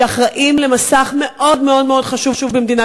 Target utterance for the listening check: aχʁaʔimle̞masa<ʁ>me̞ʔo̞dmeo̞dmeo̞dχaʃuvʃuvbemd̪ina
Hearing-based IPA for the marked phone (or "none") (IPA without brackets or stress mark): χ